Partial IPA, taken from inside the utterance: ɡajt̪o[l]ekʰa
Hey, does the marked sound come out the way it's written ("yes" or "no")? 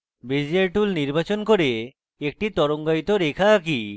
no